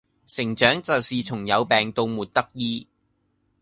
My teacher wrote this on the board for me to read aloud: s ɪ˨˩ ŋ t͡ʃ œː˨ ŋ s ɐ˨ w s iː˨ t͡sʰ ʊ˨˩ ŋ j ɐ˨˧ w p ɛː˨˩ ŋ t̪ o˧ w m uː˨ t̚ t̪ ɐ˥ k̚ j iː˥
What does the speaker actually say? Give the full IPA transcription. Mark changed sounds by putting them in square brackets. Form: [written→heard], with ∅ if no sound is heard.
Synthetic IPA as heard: s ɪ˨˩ ŋ t͡ʃ [œː˨→œː˨˥] ŋ [s→t͡s] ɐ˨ w s iː˨ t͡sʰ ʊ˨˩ ŋ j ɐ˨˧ w p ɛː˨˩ ŋ t̪ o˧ w m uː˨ t̚ t̪ ɐ˥ k̚ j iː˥